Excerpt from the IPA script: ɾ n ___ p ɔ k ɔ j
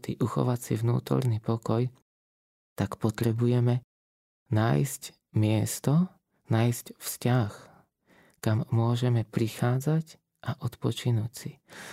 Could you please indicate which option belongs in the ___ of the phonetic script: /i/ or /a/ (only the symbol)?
i